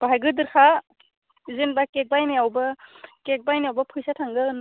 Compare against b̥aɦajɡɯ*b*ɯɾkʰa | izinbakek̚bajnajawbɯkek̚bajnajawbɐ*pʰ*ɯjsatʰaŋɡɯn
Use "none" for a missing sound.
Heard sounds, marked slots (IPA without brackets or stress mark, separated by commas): d, pʰ